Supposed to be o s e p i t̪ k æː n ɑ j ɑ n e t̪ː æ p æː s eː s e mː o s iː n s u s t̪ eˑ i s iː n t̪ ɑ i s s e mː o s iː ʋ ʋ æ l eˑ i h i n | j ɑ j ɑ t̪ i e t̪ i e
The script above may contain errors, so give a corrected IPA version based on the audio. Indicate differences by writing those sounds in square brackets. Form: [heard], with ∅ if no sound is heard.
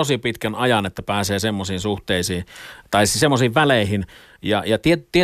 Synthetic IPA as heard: o s [i] p i t̪ k [æ] n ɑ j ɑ n e t̪ː æ p æː s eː s e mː o s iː n s u [h] t̪ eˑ i s iː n t̪ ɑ i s s e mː o s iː ʋ ʋ æ l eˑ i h i n | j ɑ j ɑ t̪ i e t̪ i e